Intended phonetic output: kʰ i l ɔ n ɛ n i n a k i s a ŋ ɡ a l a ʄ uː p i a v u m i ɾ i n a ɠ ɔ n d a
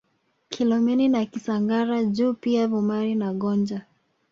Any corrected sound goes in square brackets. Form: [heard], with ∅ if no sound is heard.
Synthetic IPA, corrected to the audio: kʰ i l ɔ [m] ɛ n i n a k i s a ŋ ɡ a [ɾ] a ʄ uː p i a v u m [a] ɾ i n a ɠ ɔ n [d͡ʒ] a